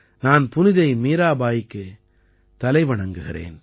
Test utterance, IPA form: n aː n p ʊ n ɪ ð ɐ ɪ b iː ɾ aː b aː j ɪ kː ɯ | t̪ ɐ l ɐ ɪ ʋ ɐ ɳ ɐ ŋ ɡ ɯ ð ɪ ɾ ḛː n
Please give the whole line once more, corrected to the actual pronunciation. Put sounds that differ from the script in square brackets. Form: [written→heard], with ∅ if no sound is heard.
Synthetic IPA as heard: n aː n p ʊ n ɪ ð ɐ ɪ [b→m] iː ɾ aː b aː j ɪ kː ɯ | t̪ ɐ l ɐ ɪ ʋ ɐ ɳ ɐ ŋ ɡ ɯ [ð→ɣ] ɪ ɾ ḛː n